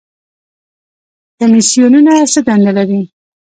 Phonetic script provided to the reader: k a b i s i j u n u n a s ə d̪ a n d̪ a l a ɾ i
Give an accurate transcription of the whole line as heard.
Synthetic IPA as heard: k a m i s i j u n u n a s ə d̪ a n d̪ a l a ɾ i